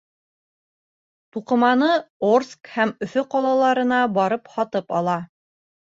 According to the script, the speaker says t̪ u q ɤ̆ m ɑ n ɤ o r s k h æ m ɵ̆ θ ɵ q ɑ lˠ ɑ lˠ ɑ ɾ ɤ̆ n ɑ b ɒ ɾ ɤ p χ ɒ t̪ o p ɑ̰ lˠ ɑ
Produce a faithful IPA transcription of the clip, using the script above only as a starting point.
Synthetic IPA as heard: t̪ u q ɤ̆ m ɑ n ɤ o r s k h æ m ɵ̆ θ ɵ q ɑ lˠ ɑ lˠ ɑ ɾ ɤ̆ n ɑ b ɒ ɾ ɤ p h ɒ t̪ ɤ p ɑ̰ lˠ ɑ